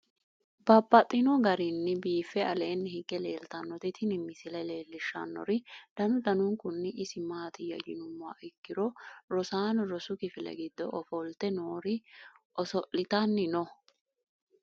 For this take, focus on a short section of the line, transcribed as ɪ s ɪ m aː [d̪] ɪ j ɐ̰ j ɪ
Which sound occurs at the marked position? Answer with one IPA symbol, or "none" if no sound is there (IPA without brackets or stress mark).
t̪